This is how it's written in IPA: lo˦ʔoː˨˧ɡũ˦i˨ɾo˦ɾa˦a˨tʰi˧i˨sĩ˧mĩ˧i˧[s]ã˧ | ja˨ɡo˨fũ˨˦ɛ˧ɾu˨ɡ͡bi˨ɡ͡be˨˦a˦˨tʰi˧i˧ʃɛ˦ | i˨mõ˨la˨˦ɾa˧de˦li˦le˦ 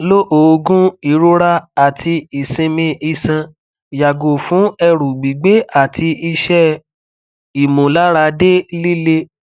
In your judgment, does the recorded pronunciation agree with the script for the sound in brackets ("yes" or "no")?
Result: yes